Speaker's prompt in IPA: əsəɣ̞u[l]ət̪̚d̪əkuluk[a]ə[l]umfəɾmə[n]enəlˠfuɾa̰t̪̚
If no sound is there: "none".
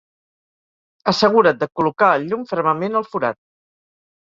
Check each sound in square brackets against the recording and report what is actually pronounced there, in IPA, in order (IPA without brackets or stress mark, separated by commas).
ɾ, a, ʎ, m